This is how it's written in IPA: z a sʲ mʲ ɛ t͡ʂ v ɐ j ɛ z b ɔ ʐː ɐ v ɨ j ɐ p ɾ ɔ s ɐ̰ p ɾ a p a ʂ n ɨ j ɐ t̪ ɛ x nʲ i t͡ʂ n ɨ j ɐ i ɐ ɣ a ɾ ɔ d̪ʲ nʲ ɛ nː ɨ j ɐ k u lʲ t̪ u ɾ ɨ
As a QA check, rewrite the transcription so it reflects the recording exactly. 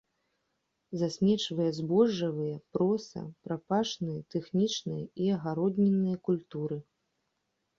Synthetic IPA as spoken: z a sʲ mʲ ɛ t͡ʂ v ɐ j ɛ z b ɔ ʐː ɐ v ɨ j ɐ p ɾ ɔ s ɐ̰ p ɾ a p a ʂ n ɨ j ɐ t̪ ɛ x nʲ i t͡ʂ n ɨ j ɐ i ɐ ɣ a ɾ ɔ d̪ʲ nʲ ɛ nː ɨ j ɐ k u lʲ t̪ u ɾ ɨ

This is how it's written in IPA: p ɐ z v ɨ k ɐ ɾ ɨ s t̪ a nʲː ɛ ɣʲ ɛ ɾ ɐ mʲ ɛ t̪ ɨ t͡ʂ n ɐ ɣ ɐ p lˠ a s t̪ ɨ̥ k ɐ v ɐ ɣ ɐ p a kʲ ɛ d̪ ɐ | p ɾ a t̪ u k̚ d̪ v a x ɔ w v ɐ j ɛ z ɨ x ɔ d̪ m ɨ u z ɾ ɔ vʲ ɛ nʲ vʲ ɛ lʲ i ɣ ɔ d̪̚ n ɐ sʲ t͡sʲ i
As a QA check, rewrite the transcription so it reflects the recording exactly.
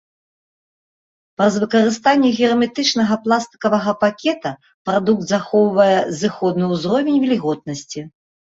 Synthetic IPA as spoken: p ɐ z v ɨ k ɐ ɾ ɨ s t̪ a nʲː ɛ ɣʲ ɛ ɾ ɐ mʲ ɛ t̪ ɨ t͡ʂ n ɐ ɣ ɐ p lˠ a s t̪ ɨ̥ k ɐ v ɐ ɣ ɐ p a kʲ ɛ t̪ ɐ | p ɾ a d̪ u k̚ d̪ z a x ɔ w v ɐ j ɛ z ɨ x ɔ d̪ n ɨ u z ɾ ɔ vʲ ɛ nʲ vʲ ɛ lʲ i ɣ ɔ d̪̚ n ɐ sʲ t͡sʲ i

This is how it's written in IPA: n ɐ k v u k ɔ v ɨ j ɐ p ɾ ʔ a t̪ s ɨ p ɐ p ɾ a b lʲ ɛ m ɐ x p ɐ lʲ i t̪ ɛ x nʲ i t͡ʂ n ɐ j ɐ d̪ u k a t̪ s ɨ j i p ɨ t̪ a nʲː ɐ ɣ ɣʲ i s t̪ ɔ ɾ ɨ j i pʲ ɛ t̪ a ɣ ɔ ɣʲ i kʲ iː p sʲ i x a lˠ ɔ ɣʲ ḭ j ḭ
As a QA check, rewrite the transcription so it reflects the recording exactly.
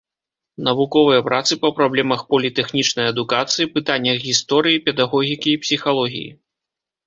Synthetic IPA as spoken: n ɐ v u k ɔ v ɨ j ɐ p ɾ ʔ a t̪ s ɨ p ɐ p ɾ a b lʲ ɛ m ɐ x p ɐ lʲ i t̪ ɛ x nʲ i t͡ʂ n ɐ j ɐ d̪ u k a t̪ s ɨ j i p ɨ t̪ a nʲː ɐ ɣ ɣʲ i s t̪ ɔ ɾ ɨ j i pʲ ɛ d̪ a ɣ ɔ ɣʲ i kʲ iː p sʲ i x a lˠ ɔ ɣʲ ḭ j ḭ

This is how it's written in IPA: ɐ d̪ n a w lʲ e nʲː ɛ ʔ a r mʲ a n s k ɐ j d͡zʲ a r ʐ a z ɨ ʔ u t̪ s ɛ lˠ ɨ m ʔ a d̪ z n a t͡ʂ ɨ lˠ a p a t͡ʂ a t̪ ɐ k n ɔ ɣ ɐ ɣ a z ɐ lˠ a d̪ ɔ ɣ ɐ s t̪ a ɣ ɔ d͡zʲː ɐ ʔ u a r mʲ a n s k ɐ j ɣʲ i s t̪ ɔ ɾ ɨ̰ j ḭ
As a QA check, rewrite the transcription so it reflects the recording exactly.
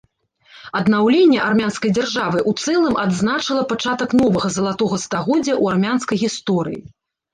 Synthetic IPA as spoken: ɐ d̪ n a w lʲ e nʲː ɛ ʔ a r mʲ a n s k ɐ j d͡zʲ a r ʐ a v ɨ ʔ u t̪ s ɛ lˠ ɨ m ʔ a d̪ z n a t͡ʂ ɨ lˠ ɐ p a t͡ʂ a t̪ ɐ k n ɔ v ɐ ɣ ɐ z ɐ lˠ a t̪ ɔ ɣ ɐ s t̪ a ɣ ɔ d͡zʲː ɐ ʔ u a r mʲ a n s k ɐ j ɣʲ i s t̪ ɔ ɾ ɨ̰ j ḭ

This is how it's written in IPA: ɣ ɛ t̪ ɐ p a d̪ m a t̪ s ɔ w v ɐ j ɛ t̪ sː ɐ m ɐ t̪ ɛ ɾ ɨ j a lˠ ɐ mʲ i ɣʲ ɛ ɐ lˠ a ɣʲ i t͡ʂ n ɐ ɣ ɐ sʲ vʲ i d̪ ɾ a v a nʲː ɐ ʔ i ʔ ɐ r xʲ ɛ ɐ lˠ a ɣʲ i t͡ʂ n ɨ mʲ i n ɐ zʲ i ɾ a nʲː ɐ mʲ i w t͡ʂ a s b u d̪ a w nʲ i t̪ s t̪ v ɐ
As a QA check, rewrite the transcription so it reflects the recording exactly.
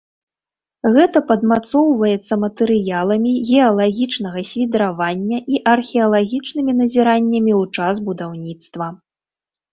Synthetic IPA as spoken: ɣ ɛ t̪ ɐ p ɐ d̪ m a t̪ s ɔ w v ɐ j ɛ t̪ sː ɐ m ɐ t̪ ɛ ɾ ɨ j a lˠ ɐ mʲ i ɣʲ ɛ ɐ lˠ a ɣʲ i t͡ʂ n ɐ ɣ ɐ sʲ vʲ i d̪ ɾ a v a nʲː ɐ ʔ i ʔ ɐ r xʲ ɛ ɐ lˠ a ɣʲ i t͡ʂ n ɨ mʲ i n ɐ zʲ i ɾ a nʲː ɐ mʲ i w t͡ʂ a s b u d̪ a w nʲ i t̪ s t̪ v ɐ

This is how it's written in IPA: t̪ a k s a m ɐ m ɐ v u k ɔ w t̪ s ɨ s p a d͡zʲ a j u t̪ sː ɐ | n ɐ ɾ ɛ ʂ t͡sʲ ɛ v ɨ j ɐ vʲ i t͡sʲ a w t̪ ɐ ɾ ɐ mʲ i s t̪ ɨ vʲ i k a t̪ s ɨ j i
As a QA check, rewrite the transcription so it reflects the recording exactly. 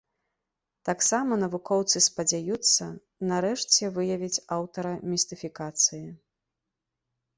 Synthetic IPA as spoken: t̪ a k s a m ɐ n ɐ v u k ɔ w t̪ s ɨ s p ɐ d͡zʲ a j u t̪ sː ɐ | n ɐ ɾ ɛ ʂ t͡sʲ ɛ v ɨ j ɐ vʲ i t͡sʲ a w t̪ ɐ ɾ ɐ mʲ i s t̪ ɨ fʲ i k a t̪ s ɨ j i

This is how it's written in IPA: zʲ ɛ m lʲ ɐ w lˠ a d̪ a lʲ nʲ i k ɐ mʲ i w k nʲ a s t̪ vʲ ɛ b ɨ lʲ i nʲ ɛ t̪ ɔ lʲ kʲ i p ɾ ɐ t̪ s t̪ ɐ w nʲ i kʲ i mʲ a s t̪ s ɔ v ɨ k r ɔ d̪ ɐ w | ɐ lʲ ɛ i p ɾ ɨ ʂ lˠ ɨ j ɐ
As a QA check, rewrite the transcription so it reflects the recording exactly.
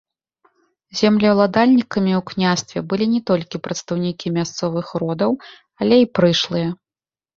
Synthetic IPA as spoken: zʲ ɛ m lʲ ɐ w lˠ a d̪ a lʲ nʲ i k ɐ mʲ i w k nʲ a s t̪ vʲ ɛ b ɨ lʲ i nʲ ɛ t̪ ɔ lʲ kʲ i p ɾ ɐ t̪ s t̪ ɐ w nʲ i kʲ i mʲ a s t̪ s ɔ v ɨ x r ɔ d̪ ɐ w | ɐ lʲ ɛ i p ɾ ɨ ʂ lˠ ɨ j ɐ

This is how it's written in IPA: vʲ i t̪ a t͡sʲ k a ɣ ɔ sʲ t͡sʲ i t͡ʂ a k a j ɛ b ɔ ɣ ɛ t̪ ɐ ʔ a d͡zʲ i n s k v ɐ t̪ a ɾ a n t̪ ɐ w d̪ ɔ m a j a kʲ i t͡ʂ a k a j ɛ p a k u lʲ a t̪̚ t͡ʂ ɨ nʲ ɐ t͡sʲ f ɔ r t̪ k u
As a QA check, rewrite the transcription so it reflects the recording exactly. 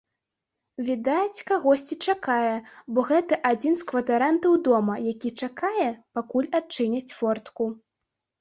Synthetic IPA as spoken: vʲ i d̪ a t͡sʲ k a ɣ ɔ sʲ t͡sʲ i t͡ʂ a k a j ɛ b ɔ ɣ ɛ t̪ ɐ ʔ a d͡zʲ i n s k v ɐ t̪ a ɾ a n t̪ ɐ w d̪ ɔ m ɐ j a kʲ i t͡ʂ a k a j ɛ p a k u lʲ a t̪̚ t͡ʂ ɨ nʲ ɐ t͡sʲ f ɔ r t̪ k u

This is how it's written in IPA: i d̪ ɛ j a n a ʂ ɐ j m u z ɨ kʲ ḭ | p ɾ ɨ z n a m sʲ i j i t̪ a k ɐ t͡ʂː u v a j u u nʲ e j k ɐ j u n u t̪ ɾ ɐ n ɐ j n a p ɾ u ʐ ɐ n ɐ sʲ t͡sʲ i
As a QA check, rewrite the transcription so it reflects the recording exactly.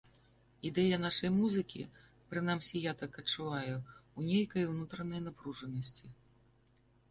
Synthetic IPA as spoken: i d̪ ɛ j ɐ n a ʂ ɐ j m u z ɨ kʲ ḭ | p ɾ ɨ n a m sʲ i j a t̪ a k ɐ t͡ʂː u v a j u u nʲ e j k ɐ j w n u t̪ ɾ ɐ n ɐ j n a p ɾ u ʐ ɐ n ɐ sʲ t͡sʲ i

